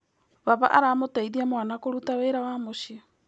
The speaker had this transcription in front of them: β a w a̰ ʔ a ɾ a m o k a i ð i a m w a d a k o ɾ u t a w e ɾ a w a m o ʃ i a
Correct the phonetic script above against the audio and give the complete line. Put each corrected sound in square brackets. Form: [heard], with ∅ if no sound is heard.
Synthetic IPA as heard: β a [β] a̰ ʔ a ɾ a m o [t] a i ð i a m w a [n] a k o ɾ u t a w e ɾ a w a m o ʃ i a